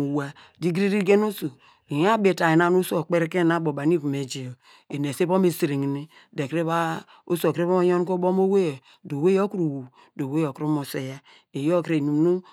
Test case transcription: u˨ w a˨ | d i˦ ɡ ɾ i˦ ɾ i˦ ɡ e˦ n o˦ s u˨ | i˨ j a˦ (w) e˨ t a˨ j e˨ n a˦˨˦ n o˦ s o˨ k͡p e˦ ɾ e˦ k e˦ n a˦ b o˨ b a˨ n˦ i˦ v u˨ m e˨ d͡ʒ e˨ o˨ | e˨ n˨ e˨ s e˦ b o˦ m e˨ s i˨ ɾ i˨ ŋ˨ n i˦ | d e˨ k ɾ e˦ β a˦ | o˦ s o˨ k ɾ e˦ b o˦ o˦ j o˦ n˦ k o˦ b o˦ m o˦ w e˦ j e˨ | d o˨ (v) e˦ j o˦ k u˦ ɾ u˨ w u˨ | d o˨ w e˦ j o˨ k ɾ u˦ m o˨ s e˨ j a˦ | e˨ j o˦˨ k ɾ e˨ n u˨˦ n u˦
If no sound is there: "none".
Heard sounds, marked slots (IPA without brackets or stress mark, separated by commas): b, w